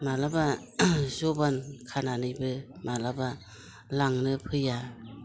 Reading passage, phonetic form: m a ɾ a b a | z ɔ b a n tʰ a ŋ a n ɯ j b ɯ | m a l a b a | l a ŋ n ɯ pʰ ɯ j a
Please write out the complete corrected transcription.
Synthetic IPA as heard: m a l a b a | z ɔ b a n kʰ a n a n ɯ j b ɯ | m a l a b a | l a ŋ n ɯ pʰ ɯ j a